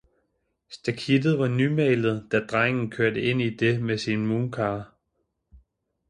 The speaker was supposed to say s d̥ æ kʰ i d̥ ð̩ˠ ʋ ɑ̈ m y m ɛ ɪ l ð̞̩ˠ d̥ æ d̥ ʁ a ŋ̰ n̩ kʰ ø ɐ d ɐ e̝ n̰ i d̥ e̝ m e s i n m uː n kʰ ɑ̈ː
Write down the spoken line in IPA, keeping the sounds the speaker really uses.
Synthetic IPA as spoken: s d̥ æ kʰ i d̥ ð̩ˠ ʋ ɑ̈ n y m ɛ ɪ l ð̞̩ˠ d̥ æ d̥ ʁ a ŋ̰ n̩ kʰ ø ɐ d ə e̝ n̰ i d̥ e̝ m e s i n m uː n kʰ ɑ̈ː